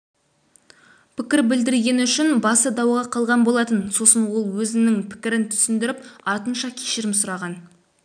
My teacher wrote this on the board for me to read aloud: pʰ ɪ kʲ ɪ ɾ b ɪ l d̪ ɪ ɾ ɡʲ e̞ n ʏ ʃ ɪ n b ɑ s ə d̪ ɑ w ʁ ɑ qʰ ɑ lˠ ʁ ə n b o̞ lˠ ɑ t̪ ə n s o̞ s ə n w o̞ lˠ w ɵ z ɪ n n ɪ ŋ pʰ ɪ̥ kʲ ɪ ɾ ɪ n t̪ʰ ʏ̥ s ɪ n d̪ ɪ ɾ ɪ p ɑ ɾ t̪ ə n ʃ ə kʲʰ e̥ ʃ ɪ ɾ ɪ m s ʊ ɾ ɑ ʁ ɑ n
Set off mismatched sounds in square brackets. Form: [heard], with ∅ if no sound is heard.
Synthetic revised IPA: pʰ ɪ kʲ ɪ ɾ b ɪ l d̪ ɪ ɾ ɡʲ e̞ n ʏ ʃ ɪ n b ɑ s ə d̪ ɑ w ʁ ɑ qʰ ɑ lˠ ʁ [ɑ] n b o̞ lˠ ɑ t̪ ə n s o̞ s ə n w o̞ lˠ w ɵ z ɪ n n ɪ ŋ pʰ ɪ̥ kʲ ɪ ɾ ɪ n t̪ʰ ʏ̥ s ɪ n d̪ ɪ ɾ ɪ p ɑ ɾ t̪ ə n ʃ [ɑ] kʲʰ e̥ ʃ ɪ ɾ ɪ m s ʊ ɾ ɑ ʁ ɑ n